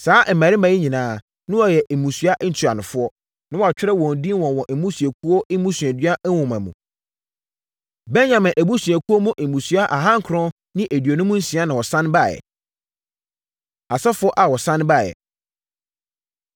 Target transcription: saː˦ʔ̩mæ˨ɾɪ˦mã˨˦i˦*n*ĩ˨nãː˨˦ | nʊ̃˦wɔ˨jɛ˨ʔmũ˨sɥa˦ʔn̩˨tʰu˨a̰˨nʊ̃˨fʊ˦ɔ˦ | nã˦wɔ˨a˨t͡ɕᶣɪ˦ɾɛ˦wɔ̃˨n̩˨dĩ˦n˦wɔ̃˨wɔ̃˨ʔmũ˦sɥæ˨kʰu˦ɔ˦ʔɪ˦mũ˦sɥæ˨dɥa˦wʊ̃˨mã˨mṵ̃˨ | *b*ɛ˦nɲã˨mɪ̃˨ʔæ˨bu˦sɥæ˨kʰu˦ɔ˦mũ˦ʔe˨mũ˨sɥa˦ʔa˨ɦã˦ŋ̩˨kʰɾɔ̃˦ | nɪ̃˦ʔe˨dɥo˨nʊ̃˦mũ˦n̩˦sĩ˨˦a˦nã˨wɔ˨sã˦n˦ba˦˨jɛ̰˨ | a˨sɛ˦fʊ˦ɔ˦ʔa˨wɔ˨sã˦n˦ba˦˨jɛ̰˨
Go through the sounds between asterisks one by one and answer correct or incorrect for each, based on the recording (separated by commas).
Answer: incorrect, correct